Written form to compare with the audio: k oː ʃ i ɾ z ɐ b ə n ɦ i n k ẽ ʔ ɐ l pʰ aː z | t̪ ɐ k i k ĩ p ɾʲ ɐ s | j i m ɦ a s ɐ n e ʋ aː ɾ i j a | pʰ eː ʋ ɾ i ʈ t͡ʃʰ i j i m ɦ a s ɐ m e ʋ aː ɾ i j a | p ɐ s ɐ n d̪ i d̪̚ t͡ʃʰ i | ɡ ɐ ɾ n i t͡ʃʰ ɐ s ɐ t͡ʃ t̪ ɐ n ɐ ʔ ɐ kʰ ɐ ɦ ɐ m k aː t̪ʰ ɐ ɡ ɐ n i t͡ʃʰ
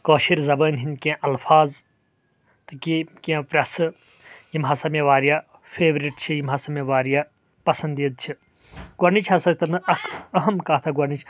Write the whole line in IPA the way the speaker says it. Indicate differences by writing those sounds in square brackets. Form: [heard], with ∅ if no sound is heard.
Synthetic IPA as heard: k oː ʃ i ɾ z ɐ b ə n ɦ i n k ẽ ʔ ɐ l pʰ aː z | t̪ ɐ k i k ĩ p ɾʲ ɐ s | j i m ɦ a s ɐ [m] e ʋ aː ɾ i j a | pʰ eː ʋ ɾ i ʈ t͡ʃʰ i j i m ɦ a s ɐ m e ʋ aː ɾ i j a | p ɐ s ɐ n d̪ i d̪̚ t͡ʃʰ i | ɡ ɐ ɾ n i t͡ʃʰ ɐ s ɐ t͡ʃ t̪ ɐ n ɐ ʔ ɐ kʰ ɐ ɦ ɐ m k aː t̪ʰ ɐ ɡ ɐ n i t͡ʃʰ